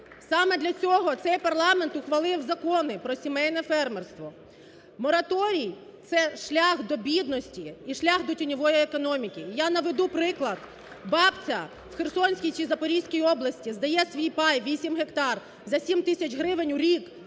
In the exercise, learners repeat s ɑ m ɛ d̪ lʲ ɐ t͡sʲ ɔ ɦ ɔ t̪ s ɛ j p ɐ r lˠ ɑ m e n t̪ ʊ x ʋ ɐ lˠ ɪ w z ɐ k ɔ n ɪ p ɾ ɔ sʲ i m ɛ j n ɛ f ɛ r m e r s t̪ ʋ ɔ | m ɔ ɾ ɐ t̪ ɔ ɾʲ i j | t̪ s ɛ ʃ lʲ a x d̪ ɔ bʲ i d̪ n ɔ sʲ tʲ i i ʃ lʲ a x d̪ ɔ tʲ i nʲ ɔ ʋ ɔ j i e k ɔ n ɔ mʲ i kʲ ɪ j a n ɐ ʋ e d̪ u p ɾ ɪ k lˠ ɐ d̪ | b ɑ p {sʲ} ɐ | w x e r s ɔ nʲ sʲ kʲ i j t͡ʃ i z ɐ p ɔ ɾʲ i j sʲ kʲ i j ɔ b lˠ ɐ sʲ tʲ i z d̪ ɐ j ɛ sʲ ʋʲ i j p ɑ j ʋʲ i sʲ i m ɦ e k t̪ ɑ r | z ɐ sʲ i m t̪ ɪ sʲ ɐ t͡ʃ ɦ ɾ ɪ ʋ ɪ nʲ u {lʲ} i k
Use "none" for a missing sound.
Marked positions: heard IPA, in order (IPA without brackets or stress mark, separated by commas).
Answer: t͡sʲ, ɾʲ